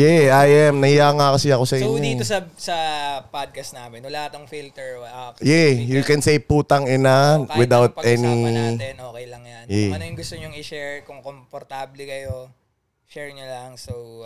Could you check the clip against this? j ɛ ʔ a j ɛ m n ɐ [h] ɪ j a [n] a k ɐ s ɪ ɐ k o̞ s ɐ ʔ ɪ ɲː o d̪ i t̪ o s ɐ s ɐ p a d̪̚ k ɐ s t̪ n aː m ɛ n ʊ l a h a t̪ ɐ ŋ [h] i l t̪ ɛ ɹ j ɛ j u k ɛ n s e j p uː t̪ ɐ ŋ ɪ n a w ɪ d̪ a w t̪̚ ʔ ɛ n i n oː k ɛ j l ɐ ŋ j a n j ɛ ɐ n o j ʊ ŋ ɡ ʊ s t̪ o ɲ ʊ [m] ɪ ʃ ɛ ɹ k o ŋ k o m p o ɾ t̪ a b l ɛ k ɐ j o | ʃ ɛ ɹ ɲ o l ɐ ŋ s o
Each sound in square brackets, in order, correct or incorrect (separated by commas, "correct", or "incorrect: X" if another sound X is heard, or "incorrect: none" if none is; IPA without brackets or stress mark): correct, incorrect: ŋ, incorrect: f, incorrect: ŋ